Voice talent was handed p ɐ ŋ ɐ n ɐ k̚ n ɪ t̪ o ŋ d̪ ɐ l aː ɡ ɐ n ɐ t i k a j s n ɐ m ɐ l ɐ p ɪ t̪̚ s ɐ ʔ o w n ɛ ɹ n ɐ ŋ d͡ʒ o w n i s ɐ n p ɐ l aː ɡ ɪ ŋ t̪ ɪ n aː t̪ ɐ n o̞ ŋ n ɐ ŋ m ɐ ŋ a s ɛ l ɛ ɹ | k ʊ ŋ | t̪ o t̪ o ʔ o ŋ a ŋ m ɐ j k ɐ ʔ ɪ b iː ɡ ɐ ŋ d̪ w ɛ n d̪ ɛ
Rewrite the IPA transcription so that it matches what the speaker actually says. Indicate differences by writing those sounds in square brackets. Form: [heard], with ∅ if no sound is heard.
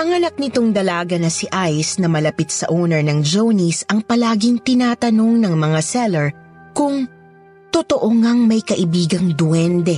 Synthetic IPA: [ʔ] ɐ ŋ ɐ n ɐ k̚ n ɪ t̪ o ŋ d̪ ɐ l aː ɡ ɐ n ɐ [s] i [ʔ] a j s n ɐ m ɐ l ɐ p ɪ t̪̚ s ɐ ʔ o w n ɛ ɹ n ɐ ŋ d͡ʒ o w n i s ɐ [ŋ] p ɐ l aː ɡ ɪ ŋ t̪ ɪ n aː t̪ ɐ n o̞ ŋ n ɐ ŋ m ɐ ŋ a s ɛ l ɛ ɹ | k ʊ ŋ | t̪ o t̪ o ʔ o ŋ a ŋ m ɐ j k ɐ ʔ ɪ b iː ɡ ɐ ŋ d̪ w ɛ n d̪ ɛ